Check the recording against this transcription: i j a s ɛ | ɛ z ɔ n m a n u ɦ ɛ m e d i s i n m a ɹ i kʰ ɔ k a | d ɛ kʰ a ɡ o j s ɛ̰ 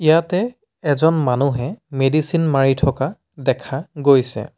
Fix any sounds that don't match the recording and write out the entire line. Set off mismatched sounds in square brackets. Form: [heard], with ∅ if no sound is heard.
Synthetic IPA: i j a [t] ɛ | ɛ z ɔ n m a n u ɦ ɛ m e d i s i n m a ɹ i [tʰ] ɔ k a | d ɛ kʰ a ɡ o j s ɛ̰